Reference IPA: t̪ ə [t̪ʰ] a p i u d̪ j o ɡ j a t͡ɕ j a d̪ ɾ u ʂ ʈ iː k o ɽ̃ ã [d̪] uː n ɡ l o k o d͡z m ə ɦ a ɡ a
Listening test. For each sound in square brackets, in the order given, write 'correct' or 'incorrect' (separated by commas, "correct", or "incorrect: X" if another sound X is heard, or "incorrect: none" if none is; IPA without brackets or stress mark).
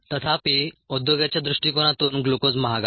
correct, incorrect: t̪